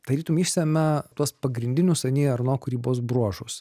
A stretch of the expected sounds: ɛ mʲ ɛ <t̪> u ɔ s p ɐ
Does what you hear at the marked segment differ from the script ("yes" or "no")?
no